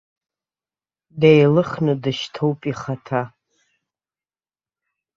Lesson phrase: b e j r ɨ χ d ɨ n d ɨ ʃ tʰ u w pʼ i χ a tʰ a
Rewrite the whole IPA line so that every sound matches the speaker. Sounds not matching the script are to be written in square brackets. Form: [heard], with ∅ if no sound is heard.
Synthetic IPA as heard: [d] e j [l] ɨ χ [n] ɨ [∅] d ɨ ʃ tʰ [o] w pʼ i χ a tʰ a